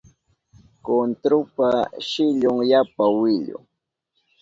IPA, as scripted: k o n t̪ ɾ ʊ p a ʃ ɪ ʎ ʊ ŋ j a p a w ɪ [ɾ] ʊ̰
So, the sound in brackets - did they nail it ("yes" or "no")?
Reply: no